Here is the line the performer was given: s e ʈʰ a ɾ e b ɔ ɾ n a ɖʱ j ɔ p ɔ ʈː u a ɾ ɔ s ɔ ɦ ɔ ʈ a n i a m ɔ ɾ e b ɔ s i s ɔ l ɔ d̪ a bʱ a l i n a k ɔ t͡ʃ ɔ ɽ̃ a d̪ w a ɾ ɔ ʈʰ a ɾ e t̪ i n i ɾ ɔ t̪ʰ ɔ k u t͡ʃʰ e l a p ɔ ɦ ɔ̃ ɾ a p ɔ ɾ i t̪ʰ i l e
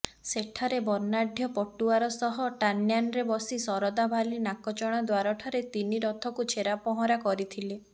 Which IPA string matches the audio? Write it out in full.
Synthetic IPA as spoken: s e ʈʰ a ɾ e b ɔ ɾ n a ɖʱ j ɔ p ɔ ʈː u a ɾ ɔ s ɔ ɦ ɔ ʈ a n j a n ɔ ɾ e b ɔ s i s ɔ ɾ ɔ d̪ a bʱ a l i n a k ɔ t͡ʃ ɔ ɽ̃ a d̪ w a ɾ ɔ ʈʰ a ɾ e t̪ i n i ɾ ɔ t̪ʰ ɔ k u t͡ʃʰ e ɾ a p ɔ ɦ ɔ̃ ɾ a k ɔ ɾ i t̪ʰ i l e